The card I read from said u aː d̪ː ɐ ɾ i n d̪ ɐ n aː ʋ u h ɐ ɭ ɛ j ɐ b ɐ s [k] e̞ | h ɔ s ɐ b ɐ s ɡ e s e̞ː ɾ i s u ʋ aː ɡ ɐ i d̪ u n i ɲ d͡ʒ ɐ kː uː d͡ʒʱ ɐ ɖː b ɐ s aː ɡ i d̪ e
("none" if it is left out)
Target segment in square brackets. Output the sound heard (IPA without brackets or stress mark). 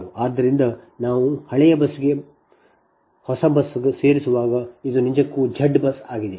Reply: ɡ